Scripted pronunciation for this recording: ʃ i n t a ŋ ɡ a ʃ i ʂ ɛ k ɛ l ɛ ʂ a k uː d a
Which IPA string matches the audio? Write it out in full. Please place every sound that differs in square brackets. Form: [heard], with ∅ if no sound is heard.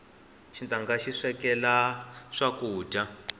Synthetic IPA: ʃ i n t a ŋ ɡ a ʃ i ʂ ɛ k ɛ l [a] ʂ a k uː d a